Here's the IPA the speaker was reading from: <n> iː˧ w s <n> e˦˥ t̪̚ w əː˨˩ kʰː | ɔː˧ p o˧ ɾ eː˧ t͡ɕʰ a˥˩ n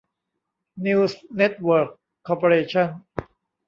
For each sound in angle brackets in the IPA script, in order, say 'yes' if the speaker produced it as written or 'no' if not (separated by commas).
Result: yes, yes